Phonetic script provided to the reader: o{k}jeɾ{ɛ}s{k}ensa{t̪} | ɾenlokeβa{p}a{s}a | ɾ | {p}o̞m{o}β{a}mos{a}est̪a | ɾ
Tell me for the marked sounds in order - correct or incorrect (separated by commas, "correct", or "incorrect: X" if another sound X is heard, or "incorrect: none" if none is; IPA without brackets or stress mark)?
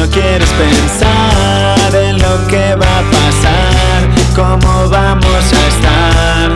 correct, incorrect: e, incorrect: p, incorrect: none, correct, correct, incorrect: k, correct, correct, correct